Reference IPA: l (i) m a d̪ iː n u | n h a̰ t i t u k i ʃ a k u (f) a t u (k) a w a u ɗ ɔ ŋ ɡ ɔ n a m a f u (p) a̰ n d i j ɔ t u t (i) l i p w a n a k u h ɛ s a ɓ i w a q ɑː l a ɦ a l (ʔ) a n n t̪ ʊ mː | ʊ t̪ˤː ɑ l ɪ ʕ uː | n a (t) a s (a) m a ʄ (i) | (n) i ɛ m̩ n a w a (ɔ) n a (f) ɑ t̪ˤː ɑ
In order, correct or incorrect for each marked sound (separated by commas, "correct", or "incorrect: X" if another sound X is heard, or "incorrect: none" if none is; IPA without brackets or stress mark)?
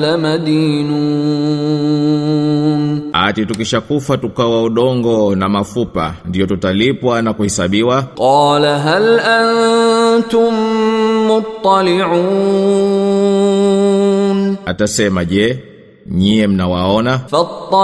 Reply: incorrect: a, correct, correct, correct, incorrect: a, correct, correct, incorrect: ɛ, incorrect: ɛ, incorrect: ɲ, correct, correct